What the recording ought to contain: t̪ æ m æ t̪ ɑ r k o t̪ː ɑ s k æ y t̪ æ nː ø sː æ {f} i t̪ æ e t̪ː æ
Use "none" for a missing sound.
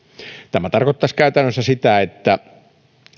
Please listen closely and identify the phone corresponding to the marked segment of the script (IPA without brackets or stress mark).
s